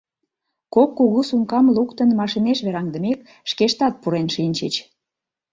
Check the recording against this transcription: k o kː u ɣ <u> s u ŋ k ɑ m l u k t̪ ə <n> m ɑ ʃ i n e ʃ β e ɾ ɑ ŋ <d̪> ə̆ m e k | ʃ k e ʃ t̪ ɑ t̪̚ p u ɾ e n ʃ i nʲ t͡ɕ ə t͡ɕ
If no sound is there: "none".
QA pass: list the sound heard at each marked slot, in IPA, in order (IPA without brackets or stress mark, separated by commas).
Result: u, n, d̪